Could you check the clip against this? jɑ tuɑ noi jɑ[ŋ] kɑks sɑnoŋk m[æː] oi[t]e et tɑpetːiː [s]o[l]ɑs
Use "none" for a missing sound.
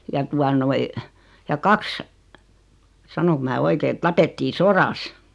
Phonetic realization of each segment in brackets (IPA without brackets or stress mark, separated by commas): none, æː, k, s, r